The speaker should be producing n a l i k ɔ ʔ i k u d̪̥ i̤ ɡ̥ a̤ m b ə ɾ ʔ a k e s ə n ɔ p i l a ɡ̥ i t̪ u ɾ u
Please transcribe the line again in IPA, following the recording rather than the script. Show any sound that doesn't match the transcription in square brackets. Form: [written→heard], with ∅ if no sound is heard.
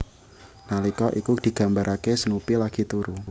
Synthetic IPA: n a l i k ɔ ʔ i k u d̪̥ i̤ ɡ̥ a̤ m b [ə→a] ɾ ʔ a k e s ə n [ɔ→u] p i l a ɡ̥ i t̪ u ɾ u

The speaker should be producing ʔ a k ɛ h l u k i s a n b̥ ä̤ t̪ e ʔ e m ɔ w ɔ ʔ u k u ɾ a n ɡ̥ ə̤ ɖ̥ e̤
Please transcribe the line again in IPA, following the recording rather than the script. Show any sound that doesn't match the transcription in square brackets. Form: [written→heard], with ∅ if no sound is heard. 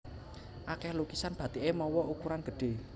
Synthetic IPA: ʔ a k ɛ h l u k i s a n b̥ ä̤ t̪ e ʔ e m ɔ w ɔ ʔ u k u ɾ a n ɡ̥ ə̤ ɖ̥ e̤

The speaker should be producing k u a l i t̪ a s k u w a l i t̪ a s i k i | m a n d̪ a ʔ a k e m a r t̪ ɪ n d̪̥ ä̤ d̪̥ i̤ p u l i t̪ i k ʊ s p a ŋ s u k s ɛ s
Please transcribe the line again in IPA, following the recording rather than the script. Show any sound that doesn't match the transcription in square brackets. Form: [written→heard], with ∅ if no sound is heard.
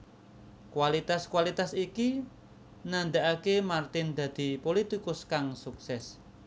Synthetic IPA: k [u→w] a l i t̪ a s k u w a l i t̪ a s i k i | [m→n] a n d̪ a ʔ a k e m a r t̪ ɪ n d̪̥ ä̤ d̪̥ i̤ p [u→o] l i t̪ i k ʊ s [p→k] a ŋ s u k s ɛ s

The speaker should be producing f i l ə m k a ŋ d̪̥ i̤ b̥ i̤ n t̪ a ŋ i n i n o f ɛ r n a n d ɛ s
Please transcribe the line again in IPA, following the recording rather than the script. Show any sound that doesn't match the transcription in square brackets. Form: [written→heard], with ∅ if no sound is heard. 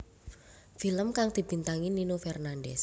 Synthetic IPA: f i l ə m k a ŋ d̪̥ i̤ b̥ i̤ n t̪ a ŋ i n i n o f ɛ r n a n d ɛ s

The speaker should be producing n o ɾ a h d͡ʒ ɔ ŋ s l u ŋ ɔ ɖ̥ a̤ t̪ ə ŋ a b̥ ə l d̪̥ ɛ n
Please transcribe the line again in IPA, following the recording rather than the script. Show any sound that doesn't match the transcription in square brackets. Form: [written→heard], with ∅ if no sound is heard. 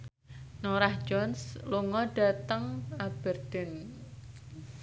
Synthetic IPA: n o ɾ a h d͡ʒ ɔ [ŋ→n] s l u ŋ ɔ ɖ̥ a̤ t̪ ə ŋ a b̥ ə [l→r] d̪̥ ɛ n

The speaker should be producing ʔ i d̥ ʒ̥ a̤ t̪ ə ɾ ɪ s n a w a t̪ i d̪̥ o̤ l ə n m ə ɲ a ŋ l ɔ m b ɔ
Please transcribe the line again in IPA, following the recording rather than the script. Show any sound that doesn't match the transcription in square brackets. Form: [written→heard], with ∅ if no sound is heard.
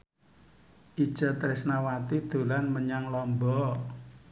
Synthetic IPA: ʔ i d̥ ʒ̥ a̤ t̪ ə ɾ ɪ s n a w a t̪ i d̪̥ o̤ l [ə→a] n m ə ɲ a ŋ l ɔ m b ɔ

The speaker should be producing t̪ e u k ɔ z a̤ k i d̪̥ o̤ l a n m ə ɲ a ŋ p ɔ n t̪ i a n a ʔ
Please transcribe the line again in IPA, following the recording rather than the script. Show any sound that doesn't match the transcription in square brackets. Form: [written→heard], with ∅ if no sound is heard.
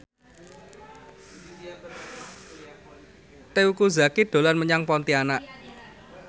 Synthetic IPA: t̪ e u k [ɔ→u] z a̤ k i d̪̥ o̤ l a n m ə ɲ a ŋ p ɔ n t̪ i a n a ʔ

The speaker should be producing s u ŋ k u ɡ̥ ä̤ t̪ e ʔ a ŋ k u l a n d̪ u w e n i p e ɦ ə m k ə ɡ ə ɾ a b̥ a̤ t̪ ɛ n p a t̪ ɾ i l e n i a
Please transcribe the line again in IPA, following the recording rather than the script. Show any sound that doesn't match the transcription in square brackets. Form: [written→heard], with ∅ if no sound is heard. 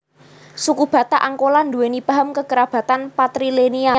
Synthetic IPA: s u [ŋ→∅] k u [ɡ̥→b̥] ä̤ t̪ [e→a] ʔ a ŋ k [u→o] l a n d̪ u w e n i p [e→a] ɦ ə m k ə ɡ ə ɾ a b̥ a̤ t̪ [ɛ→a] n p a t̪ ɾ i l e n i a

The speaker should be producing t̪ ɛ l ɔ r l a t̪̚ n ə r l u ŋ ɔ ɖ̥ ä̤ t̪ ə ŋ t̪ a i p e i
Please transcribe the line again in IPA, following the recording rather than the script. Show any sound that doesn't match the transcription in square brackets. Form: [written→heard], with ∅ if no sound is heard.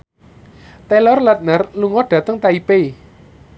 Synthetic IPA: t̪ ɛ l ɔ r l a t̪̚ n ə r l u ŋ ɔ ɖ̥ ä̤ t̪ ə ŋ t̪ a i p e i

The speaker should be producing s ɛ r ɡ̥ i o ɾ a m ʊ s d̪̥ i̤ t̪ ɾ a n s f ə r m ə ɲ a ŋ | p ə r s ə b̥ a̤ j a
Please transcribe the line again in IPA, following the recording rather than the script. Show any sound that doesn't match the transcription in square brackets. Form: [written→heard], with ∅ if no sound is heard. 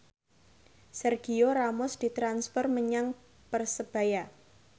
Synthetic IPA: s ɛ r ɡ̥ i o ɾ a m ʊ s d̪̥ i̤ t̪ ɾ a n s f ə r m ə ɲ a ŋ | p ə r s ə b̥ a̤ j a

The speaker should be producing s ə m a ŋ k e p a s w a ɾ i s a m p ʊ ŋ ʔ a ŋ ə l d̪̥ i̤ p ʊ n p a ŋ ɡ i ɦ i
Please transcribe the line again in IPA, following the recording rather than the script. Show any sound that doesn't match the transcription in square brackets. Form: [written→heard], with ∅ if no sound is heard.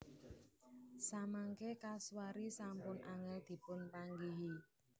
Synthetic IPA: s [ə→a] m a ŋ k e [p→k] a s w a ɾ i s a m p ʊ [ŋ→n] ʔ a ŋ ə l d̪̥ i̤ p ʊ n p a ŋ ɡ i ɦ i

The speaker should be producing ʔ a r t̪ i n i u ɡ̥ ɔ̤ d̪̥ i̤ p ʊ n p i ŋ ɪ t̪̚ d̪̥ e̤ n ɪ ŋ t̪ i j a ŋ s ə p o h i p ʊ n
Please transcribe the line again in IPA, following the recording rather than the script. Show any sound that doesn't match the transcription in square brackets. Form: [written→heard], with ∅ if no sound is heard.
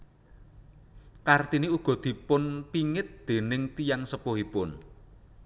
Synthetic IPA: [ʔ→k] a r t̪ i n i u ɡ̥ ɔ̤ d̪̥ i̤ p ʊ n p i ŋ ɪ t̪̚ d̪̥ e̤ n ɪ ŋ t̪ i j a ŋ s ə p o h i p ʊ n

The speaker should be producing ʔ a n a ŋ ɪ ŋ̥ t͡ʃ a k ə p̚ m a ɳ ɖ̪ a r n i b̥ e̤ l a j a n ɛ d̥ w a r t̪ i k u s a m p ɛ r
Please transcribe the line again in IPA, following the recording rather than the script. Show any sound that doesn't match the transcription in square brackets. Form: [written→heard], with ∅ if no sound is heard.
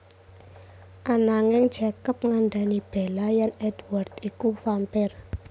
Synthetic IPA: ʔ a n a ŋ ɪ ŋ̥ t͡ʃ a k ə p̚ [m→ŋ] a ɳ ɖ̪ a [r→∅] n i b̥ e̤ l a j a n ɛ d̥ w a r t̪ i k u [s→f] a m p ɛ r

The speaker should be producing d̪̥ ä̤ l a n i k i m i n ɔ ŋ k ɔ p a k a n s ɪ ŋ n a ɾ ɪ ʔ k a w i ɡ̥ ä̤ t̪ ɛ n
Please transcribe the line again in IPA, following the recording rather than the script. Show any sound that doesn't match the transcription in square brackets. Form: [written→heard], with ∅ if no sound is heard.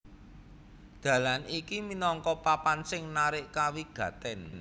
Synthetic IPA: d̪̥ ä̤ l a n i k i m i n ɔ ŋ k ɔ p a [k→p] a n s ɪ ŋ n a ɾ ɪ ʔ k a w i ɡ̥ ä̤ t̪ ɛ n

